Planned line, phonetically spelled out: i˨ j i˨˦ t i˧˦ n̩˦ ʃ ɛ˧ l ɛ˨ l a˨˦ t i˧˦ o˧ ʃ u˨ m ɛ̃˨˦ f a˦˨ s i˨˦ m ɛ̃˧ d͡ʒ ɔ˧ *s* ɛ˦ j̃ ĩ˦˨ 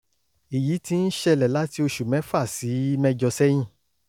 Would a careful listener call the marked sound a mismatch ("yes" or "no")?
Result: no